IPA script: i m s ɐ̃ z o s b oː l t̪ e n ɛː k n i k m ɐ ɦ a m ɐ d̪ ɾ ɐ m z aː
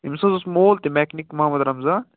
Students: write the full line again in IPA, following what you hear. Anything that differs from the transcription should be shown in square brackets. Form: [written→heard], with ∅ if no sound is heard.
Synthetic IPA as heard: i m s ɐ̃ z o s [b→m] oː l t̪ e [n→m] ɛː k n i k m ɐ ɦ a m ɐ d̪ ɾ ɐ m z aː

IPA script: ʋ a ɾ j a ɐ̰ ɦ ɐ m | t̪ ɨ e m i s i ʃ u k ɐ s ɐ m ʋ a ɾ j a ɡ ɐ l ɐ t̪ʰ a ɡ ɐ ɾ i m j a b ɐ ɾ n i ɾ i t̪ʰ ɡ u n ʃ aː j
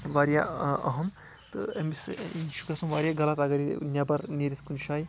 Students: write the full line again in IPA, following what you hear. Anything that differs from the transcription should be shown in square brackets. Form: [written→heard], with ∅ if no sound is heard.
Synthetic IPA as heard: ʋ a ɾ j a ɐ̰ ɦ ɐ m | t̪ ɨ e m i s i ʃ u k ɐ s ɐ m ʋ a ɾ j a ɡ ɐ l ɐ [t̪ʰ→t̪] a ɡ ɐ ɾ i [m→n] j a b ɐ ɾ n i ɾ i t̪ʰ [ɡ→k] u n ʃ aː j

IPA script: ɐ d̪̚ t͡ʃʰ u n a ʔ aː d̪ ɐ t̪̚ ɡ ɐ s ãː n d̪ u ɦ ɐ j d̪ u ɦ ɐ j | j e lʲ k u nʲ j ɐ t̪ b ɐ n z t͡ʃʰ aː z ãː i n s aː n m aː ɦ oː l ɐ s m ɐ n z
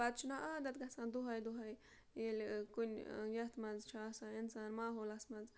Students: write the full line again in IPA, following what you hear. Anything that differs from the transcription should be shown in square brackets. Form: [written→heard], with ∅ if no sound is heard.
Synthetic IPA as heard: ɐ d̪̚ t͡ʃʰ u n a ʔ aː d̪ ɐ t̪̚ ɡ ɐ s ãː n d̪ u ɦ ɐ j d̪ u ɦ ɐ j | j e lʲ k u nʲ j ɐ t̪ [b→m] ɐ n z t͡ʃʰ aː [z→s] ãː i n s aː n m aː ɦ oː l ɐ s m ɐ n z

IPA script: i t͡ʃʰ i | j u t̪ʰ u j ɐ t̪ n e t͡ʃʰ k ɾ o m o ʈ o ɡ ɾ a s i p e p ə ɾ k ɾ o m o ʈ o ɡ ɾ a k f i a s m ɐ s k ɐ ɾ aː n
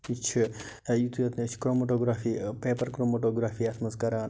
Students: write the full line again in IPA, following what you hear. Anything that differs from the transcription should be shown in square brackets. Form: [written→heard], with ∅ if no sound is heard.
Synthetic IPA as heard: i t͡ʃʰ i | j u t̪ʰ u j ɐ t̪ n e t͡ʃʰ k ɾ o m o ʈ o ɡ ɾ a [s→f] i p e p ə ɾ k ɾ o m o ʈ o ɡ ɾ a [k→∅] f i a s m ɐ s k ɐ ɾ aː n

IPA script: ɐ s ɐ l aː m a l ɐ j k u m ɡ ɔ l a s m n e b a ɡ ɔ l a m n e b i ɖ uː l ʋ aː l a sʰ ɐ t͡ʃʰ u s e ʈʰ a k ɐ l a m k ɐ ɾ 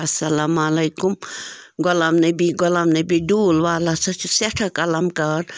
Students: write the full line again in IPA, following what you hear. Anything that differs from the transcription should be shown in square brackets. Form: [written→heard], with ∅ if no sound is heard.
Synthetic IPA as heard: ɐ s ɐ l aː m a l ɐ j k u m ɡ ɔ l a [s→∅] m n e b [a→i] ɡ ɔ l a m n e b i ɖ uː l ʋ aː l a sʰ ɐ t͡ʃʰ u s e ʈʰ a k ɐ l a m k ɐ ɾ

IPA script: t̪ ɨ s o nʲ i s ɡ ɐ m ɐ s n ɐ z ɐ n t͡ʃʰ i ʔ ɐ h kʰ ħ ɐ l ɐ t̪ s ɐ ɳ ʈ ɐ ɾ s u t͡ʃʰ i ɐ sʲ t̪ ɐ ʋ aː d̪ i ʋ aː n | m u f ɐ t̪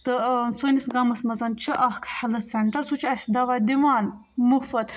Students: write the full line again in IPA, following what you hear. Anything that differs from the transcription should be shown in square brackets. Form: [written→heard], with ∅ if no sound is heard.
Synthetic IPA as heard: t̪ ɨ s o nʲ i s ɡ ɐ m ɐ s [n→m] ɐ z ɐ n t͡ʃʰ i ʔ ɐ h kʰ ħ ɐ l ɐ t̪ s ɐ ɳ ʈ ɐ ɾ s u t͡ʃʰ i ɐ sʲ [t̪→d̪] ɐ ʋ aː d̪ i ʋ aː n | m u f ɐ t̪

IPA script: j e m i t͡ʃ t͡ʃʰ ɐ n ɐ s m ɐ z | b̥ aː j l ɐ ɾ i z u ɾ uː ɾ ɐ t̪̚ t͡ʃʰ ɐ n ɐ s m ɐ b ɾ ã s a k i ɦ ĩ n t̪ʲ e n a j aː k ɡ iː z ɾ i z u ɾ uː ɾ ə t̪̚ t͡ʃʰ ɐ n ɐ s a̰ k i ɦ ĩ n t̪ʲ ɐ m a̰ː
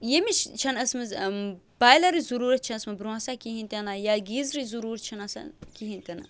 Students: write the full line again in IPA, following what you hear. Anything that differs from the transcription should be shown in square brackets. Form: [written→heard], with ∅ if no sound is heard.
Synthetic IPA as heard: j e m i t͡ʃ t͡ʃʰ ɐ n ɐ s m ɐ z | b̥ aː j l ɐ ɾ i z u ɾ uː ɾ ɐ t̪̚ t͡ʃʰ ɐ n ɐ s m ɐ b ɾ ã s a k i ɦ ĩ n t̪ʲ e n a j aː [k→∅] ɡ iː z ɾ i z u ɾ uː ɾ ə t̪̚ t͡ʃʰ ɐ n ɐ s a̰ k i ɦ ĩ n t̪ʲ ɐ [m→n] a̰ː

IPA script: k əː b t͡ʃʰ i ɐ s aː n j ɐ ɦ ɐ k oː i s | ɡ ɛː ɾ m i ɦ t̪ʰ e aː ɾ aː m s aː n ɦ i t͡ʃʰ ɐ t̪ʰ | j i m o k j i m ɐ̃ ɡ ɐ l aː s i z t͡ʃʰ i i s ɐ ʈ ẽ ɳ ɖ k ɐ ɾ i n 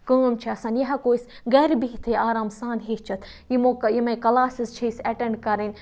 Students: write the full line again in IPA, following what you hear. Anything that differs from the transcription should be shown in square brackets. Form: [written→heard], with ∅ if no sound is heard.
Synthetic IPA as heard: k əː [b→m] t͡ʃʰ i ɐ s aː n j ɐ ɦ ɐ k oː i s | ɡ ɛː ɾ [m→b] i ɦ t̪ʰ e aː ɾ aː m s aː n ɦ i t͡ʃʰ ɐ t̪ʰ | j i m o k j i m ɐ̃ [ɡ→k] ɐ l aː s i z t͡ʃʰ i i s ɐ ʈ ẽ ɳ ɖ k ɐ ɾ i n

